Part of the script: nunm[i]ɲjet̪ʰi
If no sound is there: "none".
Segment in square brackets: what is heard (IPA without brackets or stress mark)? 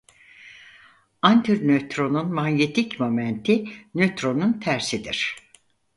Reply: a